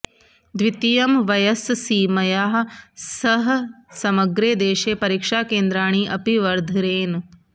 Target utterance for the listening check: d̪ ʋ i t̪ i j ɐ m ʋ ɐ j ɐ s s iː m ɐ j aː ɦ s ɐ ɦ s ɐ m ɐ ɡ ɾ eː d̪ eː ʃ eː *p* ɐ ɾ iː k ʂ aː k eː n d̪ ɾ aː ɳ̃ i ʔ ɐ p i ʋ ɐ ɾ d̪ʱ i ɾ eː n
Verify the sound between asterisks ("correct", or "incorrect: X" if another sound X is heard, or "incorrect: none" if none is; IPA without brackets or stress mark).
correct